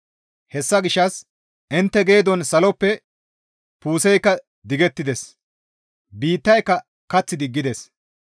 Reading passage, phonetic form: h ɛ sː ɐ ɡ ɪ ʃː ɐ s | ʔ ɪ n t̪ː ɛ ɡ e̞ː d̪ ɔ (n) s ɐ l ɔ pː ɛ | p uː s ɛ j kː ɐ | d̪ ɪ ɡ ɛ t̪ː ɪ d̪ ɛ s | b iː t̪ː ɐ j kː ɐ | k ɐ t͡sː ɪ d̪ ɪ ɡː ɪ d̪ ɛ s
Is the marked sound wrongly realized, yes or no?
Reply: no